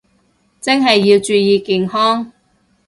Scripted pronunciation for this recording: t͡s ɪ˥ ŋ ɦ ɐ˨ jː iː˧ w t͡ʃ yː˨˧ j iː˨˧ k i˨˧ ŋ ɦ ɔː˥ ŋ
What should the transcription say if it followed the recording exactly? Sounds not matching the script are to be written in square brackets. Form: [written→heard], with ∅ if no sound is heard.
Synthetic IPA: t͡s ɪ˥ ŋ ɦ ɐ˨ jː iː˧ w t͡ʃ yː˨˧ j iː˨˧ k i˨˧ ŋ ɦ ɔː˥ ŋ